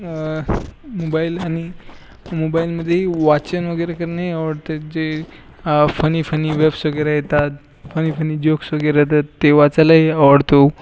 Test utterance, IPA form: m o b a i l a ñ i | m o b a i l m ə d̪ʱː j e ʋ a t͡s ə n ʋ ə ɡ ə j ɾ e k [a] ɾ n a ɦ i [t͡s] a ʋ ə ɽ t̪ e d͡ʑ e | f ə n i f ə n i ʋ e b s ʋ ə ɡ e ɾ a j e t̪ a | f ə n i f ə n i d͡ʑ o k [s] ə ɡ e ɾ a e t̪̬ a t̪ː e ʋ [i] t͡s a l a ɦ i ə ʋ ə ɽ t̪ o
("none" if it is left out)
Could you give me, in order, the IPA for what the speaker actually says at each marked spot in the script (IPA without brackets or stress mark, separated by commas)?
ə, none, s, a